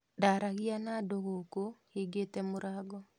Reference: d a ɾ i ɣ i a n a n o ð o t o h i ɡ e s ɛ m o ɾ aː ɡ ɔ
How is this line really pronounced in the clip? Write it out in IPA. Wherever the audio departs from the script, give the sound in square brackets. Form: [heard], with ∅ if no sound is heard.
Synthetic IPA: d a ɾ [a] ɣ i a n a [d] o [ɣ] o [k] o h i ɡ e [t] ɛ m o ɾ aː ɡ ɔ